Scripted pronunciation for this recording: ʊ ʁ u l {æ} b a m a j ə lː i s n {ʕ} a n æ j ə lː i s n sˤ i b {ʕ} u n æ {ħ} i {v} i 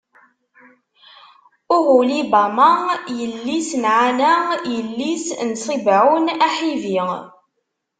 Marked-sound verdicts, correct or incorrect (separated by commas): incorrect, correct, correct, correct, correct